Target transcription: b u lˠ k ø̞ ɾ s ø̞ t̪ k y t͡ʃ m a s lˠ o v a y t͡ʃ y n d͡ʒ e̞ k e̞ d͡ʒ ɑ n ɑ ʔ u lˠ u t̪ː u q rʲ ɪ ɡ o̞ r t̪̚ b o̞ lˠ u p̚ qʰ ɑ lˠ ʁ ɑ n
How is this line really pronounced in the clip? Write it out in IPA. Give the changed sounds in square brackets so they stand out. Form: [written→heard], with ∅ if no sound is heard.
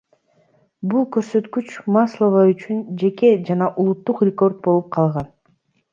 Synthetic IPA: b u lˠ k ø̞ ɾ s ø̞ t̪ k y t͡ʃ m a s lˠ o v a y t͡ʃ y n d͡ʒ e̞ k e̞ d͡ʒ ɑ n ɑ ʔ u lˠ u t̪ː u q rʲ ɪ [ɡ→k] o̞ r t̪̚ b o̞ lˠ u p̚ qʰ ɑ lˠ ʁ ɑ n